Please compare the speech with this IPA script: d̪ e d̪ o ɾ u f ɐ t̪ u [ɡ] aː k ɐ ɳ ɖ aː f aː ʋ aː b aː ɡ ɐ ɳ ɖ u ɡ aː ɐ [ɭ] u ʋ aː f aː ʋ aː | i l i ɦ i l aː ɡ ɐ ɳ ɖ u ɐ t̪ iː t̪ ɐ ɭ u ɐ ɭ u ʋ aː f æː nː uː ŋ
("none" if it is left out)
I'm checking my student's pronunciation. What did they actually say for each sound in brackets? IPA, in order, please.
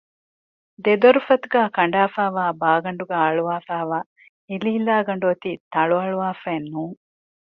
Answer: ɡ, ɭ

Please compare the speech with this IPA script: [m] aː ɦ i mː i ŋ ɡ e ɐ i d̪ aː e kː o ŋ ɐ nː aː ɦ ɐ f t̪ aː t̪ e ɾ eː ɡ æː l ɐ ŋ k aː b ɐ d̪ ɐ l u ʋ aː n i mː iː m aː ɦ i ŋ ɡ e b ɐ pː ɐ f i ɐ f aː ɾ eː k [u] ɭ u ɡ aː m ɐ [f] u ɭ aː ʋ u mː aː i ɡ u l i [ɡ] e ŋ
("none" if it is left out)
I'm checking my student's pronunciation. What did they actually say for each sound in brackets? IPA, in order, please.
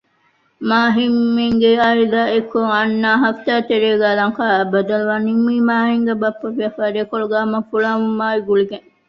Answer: m, o, f, ɡ

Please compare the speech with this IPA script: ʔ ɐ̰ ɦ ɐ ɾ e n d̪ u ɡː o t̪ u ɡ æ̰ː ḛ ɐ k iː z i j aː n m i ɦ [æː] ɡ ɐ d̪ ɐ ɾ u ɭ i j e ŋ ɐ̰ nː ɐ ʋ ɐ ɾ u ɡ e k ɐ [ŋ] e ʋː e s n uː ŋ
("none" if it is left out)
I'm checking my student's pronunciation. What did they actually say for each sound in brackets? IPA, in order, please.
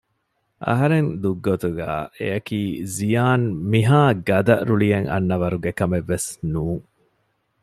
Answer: aː, m

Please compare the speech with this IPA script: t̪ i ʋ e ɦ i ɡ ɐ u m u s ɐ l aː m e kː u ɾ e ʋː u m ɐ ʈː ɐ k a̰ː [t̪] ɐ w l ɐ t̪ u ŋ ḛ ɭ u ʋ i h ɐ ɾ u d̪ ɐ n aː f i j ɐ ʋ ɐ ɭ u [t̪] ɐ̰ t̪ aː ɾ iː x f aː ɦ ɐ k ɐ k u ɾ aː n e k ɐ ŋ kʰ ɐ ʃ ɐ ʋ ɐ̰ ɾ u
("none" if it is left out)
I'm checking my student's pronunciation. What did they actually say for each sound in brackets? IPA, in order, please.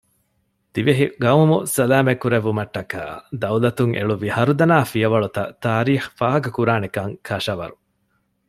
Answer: d̪, t̪

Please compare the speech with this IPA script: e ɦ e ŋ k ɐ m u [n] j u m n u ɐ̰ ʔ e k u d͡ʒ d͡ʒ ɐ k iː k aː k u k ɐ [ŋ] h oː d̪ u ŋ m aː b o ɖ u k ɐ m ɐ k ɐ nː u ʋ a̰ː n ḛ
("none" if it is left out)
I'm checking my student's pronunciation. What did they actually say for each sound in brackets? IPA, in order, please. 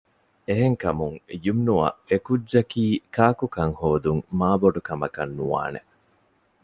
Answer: ŋ, ŋ

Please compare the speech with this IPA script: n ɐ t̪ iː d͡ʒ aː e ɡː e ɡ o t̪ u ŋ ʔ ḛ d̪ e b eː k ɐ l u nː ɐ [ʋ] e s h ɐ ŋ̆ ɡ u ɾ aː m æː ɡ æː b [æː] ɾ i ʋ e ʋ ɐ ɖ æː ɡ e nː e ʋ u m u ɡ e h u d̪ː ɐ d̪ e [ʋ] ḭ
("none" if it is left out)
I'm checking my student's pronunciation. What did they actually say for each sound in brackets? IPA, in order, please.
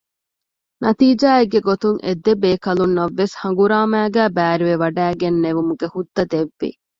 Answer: ʋː, æː, ʋː

